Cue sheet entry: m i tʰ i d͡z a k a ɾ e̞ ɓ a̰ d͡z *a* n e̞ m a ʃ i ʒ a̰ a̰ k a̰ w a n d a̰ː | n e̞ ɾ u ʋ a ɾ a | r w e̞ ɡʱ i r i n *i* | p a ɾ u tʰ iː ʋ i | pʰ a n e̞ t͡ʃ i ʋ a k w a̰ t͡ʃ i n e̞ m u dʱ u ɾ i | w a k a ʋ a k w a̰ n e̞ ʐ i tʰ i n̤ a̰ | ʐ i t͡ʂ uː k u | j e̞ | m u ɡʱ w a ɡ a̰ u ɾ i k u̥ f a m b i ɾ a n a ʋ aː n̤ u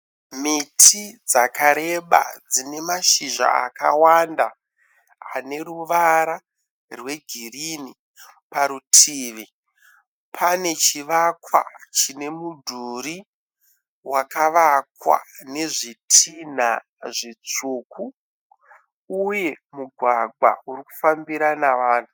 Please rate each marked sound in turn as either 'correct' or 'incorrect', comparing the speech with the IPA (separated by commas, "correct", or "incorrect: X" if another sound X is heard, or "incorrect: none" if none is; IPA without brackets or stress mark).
incorrect: i, correct